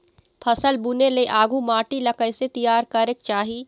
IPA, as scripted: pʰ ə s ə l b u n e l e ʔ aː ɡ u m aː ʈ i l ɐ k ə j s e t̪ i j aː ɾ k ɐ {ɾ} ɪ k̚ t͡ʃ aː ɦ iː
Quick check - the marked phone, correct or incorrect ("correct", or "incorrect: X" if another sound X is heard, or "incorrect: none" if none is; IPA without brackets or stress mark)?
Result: correct